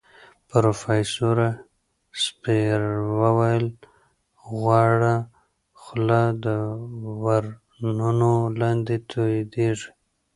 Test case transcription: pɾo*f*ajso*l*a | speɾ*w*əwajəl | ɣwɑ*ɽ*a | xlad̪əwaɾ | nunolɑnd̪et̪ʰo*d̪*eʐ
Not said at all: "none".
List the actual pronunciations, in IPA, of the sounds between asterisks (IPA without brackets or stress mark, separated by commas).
f, ɾ, w, ɽ, d̪